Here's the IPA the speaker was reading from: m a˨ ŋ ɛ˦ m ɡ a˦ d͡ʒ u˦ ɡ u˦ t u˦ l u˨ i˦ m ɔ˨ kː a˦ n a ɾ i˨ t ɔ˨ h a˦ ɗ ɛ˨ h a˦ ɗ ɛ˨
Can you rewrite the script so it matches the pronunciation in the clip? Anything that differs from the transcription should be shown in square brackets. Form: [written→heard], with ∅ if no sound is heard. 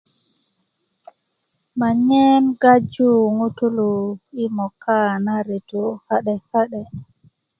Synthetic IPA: m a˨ [ŋ→ɲ] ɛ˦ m ɡ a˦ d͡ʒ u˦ [ɡ→ŋ] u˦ t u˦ l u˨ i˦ m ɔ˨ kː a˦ n a ɾ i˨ t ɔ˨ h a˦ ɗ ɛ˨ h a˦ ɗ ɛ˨

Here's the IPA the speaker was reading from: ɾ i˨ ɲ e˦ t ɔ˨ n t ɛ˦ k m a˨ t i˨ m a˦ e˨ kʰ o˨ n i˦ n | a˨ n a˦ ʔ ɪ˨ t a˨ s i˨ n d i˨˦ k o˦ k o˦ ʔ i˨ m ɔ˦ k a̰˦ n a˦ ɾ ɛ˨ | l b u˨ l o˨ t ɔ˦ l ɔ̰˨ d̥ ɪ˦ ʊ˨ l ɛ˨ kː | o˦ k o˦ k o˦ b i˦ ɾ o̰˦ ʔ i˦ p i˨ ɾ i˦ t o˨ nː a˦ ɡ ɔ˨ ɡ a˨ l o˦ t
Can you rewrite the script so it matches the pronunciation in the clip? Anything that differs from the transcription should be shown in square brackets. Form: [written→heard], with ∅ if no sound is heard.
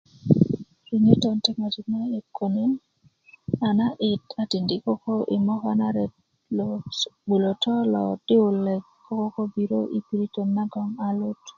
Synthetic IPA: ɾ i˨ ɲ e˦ t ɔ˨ n t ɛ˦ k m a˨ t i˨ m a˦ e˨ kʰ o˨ n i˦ n | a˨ n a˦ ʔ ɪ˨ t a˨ [s→t] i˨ n d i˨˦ k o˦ k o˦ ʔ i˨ m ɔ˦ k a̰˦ n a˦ ɾ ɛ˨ | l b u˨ l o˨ t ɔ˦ l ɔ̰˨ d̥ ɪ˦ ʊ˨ l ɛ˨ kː | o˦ k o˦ k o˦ b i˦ ɾ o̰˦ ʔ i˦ p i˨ ɾ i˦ t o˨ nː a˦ ɡ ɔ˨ [ɡ→ŋ] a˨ l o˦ t

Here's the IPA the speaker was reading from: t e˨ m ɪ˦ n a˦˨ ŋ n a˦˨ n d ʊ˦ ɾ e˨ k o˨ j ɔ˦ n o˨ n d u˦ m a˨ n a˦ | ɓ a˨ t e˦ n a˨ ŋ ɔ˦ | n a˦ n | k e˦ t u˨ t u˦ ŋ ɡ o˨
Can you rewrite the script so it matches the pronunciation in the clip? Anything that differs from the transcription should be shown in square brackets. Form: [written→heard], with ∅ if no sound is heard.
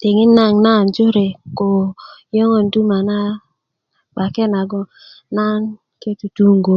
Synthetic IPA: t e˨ [m→ŋ] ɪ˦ n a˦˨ ŋ n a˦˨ n [d→d͡ʒ] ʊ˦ ɾ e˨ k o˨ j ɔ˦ [n→ŋ] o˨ n d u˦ m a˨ n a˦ | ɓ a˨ [t→k] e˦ n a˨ [ŋ→ɡ] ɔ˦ | n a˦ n | k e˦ t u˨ t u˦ ŋ ɡ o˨

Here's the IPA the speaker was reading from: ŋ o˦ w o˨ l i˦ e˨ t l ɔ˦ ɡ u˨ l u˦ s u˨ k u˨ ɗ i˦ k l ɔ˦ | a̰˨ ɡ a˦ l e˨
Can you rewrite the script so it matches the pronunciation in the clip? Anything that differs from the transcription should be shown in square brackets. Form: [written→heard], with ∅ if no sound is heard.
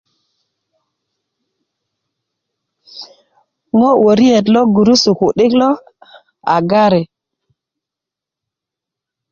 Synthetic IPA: ŋ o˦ w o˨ [l→ɾ] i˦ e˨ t l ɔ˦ ɡ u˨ [l→ɾ] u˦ s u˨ k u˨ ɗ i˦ k l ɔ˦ | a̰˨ ɡ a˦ [l→ɾ] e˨

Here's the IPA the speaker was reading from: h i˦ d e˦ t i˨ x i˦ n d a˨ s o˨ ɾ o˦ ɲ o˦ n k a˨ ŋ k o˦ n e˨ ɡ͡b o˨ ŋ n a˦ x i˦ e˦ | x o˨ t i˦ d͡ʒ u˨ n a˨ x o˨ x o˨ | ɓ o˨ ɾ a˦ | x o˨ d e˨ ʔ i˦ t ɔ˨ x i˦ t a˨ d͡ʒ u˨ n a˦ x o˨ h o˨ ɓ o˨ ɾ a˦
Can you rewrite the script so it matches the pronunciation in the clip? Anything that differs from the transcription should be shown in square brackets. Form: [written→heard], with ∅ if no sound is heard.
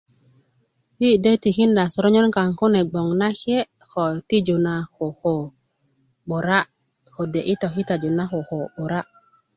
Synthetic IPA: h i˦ d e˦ t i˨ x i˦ n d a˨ s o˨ ɾ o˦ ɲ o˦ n k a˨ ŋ k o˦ n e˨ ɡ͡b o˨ ŋ n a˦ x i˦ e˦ | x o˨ t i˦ d͡ʒ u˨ n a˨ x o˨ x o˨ | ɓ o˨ ɾ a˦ | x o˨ d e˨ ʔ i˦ t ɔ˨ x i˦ t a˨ d͡ʒ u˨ n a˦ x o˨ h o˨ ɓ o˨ ɾ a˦

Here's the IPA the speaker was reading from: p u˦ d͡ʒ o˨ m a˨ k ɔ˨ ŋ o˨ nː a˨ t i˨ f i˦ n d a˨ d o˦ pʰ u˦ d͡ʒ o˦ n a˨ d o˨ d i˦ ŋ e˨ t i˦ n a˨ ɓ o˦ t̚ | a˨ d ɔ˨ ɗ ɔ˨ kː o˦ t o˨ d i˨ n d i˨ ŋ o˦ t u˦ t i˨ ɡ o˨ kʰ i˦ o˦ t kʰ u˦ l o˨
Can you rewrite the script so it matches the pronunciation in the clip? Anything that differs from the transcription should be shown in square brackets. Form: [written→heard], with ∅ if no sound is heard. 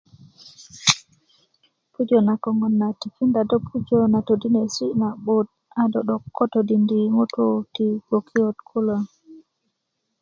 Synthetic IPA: p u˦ d͡ʒ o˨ [m→n] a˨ k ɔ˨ ŋ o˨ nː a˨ t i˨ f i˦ n d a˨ d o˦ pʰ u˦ d͡ʒ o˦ n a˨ [d→t] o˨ d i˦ [ŋ→n] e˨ [t→s] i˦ n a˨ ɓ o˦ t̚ | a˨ d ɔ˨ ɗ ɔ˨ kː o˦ t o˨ d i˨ n d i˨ ŋ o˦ t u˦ t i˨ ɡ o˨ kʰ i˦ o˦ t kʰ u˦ l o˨

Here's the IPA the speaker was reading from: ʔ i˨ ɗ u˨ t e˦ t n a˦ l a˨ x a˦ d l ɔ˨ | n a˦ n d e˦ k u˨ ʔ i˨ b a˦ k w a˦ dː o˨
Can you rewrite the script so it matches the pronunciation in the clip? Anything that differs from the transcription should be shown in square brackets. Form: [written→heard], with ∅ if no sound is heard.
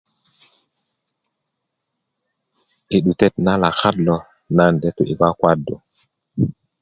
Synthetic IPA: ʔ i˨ ɗ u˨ t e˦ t n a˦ l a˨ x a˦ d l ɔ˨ | n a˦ n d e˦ [k→t] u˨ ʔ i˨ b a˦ k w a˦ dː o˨

